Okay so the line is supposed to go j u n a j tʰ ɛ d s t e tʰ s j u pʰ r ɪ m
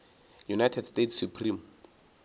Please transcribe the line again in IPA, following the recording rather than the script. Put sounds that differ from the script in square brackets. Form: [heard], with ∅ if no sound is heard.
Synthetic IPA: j u n a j tʰ ɛ d s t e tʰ s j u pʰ r [i] m